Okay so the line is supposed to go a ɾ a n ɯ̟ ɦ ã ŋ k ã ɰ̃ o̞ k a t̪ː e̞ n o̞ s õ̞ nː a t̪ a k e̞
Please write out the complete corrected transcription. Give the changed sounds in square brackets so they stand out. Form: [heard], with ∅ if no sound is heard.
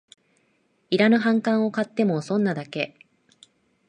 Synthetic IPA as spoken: [i] ɾ a n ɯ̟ ɦ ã ŋ k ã ɰ̃ o̞ k a t̪ː e̞ [m] o̞ s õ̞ nː a [d̪] a k e̞